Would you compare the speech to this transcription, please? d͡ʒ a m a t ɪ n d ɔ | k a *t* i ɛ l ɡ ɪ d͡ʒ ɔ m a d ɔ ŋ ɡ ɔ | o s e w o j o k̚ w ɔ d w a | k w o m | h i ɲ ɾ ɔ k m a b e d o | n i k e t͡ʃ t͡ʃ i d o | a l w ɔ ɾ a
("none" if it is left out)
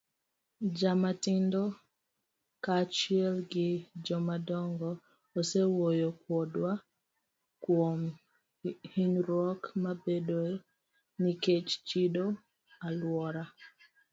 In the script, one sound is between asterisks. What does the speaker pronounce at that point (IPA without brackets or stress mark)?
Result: t͡ʃ